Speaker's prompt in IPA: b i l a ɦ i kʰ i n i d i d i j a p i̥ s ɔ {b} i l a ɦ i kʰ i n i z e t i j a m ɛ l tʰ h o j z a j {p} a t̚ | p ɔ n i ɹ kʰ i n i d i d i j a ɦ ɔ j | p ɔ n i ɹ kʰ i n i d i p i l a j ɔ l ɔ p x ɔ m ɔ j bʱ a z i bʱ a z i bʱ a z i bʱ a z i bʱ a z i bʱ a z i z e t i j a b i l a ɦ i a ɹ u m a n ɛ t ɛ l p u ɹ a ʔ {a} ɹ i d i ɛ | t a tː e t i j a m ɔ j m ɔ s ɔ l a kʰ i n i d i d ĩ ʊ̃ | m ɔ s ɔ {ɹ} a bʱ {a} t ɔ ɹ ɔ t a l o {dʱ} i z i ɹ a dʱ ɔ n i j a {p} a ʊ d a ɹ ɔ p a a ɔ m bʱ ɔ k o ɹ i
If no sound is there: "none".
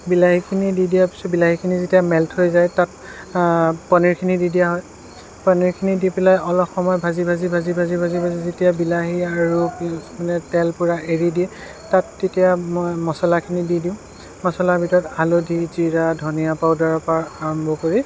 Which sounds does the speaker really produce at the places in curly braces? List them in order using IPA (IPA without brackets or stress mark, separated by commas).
b, t, e, l, i, dʱ, p